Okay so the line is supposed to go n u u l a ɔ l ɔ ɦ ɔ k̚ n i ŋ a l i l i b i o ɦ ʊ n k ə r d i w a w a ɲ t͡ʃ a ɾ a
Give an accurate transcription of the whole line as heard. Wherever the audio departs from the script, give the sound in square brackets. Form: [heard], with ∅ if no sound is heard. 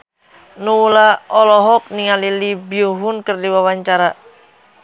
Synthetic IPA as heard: n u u l a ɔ l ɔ ɦ ɔ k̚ n i ŋ a l i l i b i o ɦ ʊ n k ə r d i w a w a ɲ t͡ʃ a ɾ a